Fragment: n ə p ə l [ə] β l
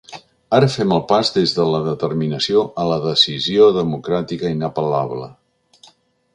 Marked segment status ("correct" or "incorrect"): incorrect